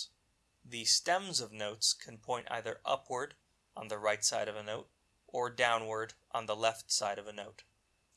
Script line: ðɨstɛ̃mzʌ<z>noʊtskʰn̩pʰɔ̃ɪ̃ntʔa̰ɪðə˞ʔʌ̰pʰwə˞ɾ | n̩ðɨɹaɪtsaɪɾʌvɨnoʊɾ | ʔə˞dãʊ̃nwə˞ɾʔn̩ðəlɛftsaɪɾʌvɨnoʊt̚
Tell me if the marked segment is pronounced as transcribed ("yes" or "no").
no